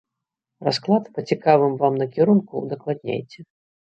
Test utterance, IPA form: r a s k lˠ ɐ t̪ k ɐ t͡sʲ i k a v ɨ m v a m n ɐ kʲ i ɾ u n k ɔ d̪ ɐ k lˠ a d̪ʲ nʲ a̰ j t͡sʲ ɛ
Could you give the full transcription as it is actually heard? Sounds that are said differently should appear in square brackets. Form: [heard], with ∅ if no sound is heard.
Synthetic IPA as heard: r a s k lˠ [a] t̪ [p] ɐ t͡sʲ i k a v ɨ m v a m n ɐ kʲ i ɾ u n k [u] d̪ ɐ k lˠ a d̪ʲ nʲ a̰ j t͡sʲ ɛ